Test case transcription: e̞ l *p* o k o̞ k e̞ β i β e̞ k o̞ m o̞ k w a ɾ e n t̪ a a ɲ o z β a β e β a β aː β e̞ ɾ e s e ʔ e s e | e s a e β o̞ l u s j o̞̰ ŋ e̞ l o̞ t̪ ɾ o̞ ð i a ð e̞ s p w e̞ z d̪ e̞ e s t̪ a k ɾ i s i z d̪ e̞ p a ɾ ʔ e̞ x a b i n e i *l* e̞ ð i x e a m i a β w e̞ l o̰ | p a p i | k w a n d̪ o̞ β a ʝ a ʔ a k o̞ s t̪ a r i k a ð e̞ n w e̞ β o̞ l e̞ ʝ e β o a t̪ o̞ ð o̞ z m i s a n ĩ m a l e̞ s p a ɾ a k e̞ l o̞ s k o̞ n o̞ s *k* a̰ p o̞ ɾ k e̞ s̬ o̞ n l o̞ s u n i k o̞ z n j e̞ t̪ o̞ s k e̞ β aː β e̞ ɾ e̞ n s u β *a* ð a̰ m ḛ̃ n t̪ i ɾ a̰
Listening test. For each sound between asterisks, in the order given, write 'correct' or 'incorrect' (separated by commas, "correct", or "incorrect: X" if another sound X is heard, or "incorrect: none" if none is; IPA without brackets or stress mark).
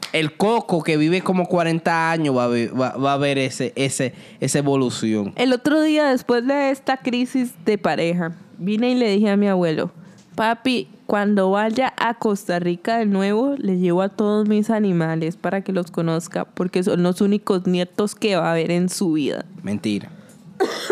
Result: incorrect: k, correct, correct, incorrect: i